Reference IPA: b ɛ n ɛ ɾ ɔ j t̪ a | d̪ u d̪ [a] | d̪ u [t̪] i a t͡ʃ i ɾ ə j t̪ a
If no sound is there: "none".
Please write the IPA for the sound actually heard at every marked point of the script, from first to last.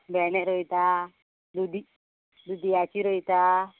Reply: i, d̪

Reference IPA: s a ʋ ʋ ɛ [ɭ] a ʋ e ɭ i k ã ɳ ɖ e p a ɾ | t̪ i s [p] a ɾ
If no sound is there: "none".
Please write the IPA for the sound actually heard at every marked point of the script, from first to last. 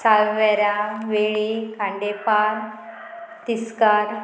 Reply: ɾ, k

